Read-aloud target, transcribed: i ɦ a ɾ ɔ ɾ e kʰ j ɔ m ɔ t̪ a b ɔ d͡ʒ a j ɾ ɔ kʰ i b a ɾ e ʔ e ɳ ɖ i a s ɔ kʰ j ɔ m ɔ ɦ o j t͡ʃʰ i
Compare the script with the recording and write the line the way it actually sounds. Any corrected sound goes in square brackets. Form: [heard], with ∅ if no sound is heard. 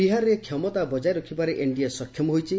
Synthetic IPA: i ɦ a ɾ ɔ ɾ e kʰ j ɔ m ɔ t̪ a b ɔ d͡ʒ a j ɾ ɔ kʰ i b a ɾ e ʔ e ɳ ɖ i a s ɔ kʰ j ɔ m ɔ ɦ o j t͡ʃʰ i

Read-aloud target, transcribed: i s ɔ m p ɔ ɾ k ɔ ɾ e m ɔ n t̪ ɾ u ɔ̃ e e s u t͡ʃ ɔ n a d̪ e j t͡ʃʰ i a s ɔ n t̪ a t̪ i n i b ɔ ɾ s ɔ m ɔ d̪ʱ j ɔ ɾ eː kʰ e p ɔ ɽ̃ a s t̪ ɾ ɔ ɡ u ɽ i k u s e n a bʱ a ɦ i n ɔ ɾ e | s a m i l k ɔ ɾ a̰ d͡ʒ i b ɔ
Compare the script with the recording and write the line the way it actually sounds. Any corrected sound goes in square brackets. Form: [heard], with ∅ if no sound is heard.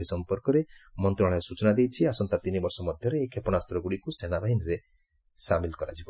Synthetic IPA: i s ɔ m p ɔ ɾ k ɔ ɾ e m ɔ n t̪ ɾ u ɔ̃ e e s u t͡ʃ ɔ n a d̪ e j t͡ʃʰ i a s ɔ n t̪ a t̪ i n i b ɔ ɾ s ɔ m ɔ d̪ʱ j ɔ ɾ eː kʰ e p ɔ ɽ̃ a s t̪ ɾ ɔ ɡ u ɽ i k u s e n a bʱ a ɦ i n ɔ ɾ e | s a m i l k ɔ ɾ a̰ d͡ʒ i b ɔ

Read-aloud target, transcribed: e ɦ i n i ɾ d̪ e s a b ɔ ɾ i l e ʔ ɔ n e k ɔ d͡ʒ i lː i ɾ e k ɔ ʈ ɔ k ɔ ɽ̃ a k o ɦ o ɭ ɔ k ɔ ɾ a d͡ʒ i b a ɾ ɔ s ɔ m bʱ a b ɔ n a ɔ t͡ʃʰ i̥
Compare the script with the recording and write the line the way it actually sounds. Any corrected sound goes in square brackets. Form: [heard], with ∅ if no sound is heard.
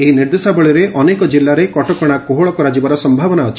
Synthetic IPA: e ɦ i n i ɾ d̪ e s a b ɔ [ɭ] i [ɾ] e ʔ ɔ n e k ɔ d͡ʒ i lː [a] ɾ e k ɔ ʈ ɔ k ɔ ɽ̃ a k o ɦ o ɭ ɔ k ɔ ɾ a d͡ʒ i b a ɾ ɔ s ɔ m bʱ a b ɔ n a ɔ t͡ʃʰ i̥

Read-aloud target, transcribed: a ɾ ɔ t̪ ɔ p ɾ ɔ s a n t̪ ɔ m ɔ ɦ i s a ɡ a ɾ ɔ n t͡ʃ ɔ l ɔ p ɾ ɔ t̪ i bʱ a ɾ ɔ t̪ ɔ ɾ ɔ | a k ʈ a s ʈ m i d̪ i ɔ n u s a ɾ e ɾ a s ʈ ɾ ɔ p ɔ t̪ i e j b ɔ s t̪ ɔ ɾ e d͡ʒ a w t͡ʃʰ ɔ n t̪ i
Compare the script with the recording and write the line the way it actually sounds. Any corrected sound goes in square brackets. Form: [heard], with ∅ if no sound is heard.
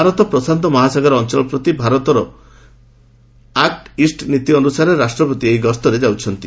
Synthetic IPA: a ɾ ɔ t̪ ɔ p ɾ ɔ s a n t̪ ɔ m ɔ ɦ [a] s a ɡ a ɾ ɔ n t͡ʃ ɔ l ɔ p ɾ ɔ t̪ i bʱ a ɾ ɔ t̪ ɔ ɾ ɔ | a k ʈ [i] s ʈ [n] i [t̪] i ɔ n u s a ɾ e ɾ a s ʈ ɾ ɔ p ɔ t̪ i e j [ɡ] ɔ s t̪ ɔ ɾ e d͡ʒ a w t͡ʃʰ ɔ n t̪ i

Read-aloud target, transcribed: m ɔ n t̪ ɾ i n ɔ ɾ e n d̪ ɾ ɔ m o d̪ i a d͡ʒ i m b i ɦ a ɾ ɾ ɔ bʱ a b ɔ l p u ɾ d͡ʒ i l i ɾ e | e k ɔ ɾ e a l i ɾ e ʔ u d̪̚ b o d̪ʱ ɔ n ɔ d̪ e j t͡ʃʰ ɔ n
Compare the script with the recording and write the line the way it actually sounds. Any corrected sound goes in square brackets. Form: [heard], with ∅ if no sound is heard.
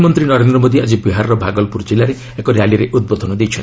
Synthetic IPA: m ɔ n t̪ ɾ i n ɔ ɾ e n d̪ ɾ ɔ m o d̪ i a d͡ʒ i [∅] b i ɦ a ɾ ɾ ɔ bʱ a [ɡ] ɔ l p u ɾ d͡ʒ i l [a] ɾ e | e k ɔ ɾ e a l i ɾ e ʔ u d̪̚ b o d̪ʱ ɔ n ɔ d̪ e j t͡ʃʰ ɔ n

